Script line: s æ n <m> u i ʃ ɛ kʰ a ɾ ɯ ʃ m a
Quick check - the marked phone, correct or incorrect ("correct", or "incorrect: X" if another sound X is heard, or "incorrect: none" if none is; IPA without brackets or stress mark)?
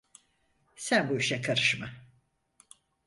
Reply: incorrect: b